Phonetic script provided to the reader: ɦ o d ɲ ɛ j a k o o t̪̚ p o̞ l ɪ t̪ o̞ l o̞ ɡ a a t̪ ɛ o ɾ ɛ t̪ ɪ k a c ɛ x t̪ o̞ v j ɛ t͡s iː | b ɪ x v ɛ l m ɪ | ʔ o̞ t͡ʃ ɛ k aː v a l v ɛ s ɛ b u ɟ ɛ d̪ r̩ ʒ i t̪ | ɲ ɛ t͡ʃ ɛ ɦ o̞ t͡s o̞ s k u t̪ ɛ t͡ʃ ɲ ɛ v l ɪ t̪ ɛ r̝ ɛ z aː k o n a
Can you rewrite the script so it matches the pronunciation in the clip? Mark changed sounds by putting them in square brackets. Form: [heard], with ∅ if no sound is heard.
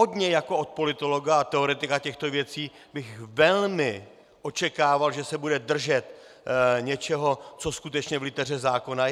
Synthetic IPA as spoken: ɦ o d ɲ ɛ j a k o o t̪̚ p o̞ l ɪ t̪ o̞ l o̞ ɡ a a t̪ ɛ o ɾ ɛ t̪ ɪ k a c ɛ x t̪ o̞ v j ɛ t͡s iː | b ɪ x v ɛ l m ɪ | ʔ o̞ t͡ʃ ɛ k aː v a l [ʒ] ɛ s ɛ b u [d] ɛ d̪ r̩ ʒ [ɛ] t̪ | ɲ ɛ t͡ʃ ɛ ɦ o̞ t͡s o̞ s k u t̪ ɛ t͡ʃ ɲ ɛ v l ɪ t̪ ɛ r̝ ɛ z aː k o n a